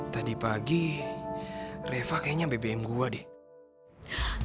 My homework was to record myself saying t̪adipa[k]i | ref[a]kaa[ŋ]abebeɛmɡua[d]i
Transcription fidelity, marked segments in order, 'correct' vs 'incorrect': incorrect, correct, incorrect, correct

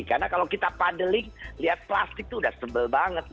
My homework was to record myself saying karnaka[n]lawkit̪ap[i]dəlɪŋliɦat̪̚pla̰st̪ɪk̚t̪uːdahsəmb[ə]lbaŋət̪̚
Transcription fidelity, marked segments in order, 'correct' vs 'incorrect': incorrect, incorrect, correct

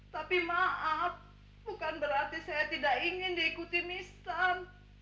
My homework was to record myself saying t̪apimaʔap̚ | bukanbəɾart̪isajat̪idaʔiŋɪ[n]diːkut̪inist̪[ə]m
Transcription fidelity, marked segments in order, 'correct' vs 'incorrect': correct, incorrect

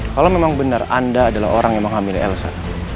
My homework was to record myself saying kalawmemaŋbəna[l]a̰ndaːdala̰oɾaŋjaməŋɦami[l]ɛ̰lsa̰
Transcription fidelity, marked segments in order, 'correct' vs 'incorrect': incorrect, correct

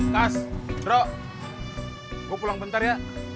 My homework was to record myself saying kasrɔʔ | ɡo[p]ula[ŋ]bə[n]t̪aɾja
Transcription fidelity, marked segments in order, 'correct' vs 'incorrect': correct, correct, correct

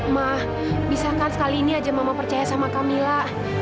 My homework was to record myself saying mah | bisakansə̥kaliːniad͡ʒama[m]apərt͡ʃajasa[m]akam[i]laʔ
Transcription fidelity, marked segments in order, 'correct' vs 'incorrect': correct, correct, correct

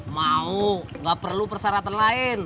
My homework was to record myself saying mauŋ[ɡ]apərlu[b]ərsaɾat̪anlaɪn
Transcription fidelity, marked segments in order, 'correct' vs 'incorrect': correct, incorrect

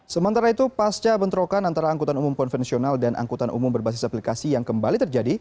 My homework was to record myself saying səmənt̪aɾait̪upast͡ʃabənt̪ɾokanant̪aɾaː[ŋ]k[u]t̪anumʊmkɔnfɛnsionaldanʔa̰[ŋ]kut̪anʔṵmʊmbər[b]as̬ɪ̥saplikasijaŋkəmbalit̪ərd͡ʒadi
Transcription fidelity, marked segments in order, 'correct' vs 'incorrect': correct, correct, correct, correct

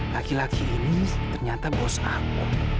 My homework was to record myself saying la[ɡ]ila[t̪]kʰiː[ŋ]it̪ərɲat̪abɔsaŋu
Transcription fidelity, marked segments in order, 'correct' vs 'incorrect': incorrect, incorrect, incorrect

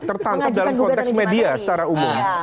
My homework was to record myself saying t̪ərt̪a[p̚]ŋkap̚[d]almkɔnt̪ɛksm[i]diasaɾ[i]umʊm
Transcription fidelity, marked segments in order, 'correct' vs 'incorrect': incorrect, correct, incorrect, incorrect

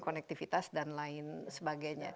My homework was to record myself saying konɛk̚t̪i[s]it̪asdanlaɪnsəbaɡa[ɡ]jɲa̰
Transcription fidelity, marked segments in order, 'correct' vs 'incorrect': incorrect, incorrect

